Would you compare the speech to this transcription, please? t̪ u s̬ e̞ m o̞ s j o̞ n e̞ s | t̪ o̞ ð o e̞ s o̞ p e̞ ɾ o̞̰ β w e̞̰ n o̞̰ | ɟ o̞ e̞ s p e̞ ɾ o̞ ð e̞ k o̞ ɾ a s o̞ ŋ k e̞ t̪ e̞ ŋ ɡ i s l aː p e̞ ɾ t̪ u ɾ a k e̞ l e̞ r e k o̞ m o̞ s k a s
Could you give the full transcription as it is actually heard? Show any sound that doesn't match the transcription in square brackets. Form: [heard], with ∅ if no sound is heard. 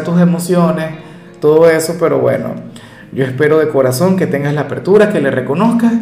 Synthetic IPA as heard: t̪ u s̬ e̞ m o̞ s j o̞ n e̞ s | t̪ o̞ ð o e̞ s o̞ p e̞ ɾ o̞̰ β w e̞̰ n o̞̰ | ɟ o̞ e̞ s p e̞ ɾ o̞ ð e̞ k o̞ ɾ a s o̞ ŋ k e̞ t̪ e̞ ŋ ɡ [a] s l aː p e̞ ɾ t̪ u ɾ a k e̞ l e̞ r e k o̞ [n] o̞ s k a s